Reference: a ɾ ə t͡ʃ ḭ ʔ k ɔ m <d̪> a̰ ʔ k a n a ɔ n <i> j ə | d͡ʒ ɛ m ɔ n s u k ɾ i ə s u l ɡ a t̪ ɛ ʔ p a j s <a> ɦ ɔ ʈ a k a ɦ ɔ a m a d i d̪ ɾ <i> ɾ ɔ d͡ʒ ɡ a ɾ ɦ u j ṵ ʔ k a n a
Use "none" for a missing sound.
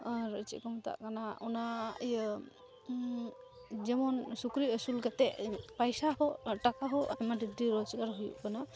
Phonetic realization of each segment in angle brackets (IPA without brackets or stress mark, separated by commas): t̪, a, a, i